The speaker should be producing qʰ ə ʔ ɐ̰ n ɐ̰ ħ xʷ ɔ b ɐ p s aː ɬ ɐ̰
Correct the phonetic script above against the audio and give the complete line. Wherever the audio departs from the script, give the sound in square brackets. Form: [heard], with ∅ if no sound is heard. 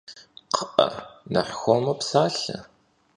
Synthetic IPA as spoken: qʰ ə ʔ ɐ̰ n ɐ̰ ħ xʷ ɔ [m] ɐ p s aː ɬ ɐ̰